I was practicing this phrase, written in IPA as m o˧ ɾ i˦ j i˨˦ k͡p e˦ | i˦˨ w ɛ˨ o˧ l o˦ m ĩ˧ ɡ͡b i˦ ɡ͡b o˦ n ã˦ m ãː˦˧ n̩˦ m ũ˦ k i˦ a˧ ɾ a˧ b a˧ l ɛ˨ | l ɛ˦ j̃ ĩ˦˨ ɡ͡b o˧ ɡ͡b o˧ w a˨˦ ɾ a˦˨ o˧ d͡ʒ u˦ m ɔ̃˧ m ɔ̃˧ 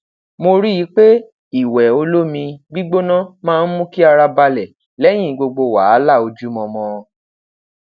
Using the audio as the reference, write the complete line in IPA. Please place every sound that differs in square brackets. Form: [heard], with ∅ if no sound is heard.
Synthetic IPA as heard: m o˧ ɾ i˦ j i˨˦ k͡p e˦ | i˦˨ w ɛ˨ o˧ l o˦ m ĩ˧ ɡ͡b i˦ ɡ͡b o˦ n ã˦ m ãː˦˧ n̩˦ m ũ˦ k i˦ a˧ ɾ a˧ b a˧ l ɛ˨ | l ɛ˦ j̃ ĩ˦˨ ɡ͡b o˧ ɡ͡b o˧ w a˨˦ [l] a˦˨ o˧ d͡ʒ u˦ m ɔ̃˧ m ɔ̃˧